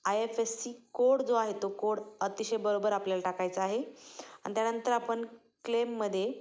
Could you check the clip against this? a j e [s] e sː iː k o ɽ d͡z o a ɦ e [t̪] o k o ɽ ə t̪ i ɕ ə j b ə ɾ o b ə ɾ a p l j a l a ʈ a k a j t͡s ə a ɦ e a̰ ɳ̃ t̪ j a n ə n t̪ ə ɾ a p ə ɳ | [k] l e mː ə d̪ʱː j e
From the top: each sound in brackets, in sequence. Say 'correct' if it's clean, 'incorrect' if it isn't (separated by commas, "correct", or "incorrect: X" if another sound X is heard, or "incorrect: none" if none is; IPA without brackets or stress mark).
incorrect: f, correct, correct